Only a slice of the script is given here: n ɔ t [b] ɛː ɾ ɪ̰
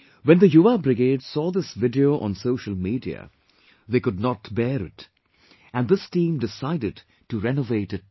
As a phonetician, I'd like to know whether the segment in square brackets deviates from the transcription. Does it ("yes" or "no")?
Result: no